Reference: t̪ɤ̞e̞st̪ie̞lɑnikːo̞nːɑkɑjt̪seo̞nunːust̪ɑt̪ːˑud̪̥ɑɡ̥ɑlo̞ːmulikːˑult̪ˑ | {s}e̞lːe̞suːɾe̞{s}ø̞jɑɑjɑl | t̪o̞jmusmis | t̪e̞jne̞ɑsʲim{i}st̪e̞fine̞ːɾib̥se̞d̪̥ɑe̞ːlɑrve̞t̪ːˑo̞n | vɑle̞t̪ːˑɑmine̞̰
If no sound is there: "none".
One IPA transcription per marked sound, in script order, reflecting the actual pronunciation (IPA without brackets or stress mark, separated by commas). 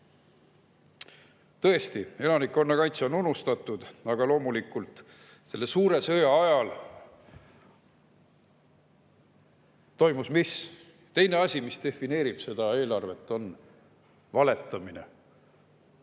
s, s, i